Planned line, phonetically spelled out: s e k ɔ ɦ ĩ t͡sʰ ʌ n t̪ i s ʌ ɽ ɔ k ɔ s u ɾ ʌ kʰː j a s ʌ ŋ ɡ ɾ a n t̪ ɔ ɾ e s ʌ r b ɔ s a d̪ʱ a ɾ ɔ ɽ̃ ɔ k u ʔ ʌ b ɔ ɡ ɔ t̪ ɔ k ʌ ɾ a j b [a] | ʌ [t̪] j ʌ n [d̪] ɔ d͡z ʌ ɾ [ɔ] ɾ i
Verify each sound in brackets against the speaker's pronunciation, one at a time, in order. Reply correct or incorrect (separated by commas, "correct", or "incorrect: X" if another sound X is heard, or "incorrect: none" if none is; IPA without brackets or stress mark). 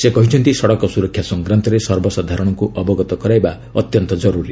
correct, correct, incorrect: t̪, incorrect: u